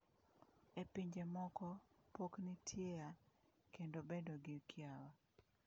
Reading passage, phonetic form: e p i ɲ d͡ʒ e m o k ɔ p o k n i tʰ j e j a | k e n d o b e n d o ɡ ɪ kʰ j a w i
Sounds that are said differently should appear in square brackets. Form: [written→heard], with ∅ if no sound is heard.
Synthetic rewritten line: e p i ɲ d͡ʒ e m [o→ɔ] k ɔ p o k n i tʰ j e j a | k e n d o b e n d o ɡ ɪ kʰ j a w [i→a]